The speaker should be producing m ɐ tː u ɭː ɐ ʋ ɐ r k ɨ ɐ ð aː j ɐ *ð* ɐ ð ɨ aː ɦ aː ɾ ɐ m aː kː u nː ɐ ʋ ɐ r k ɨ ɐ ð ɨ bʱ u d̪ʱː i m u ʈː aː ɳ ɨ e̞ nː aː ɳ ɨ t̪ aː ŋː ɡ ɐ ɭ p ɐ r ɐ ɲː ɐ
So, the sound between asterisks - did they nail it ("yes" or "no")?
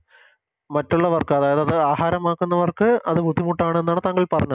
yes